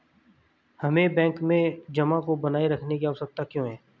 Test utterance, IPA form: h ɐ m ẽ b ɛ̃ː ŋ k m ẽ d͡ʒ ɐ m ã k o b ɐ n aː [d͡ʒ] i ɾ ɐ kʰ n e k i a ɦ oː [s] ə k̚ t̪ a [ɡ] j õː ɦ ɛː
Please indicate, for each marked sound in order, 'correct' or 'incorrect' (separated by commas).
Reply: incorrect, correct, incorrect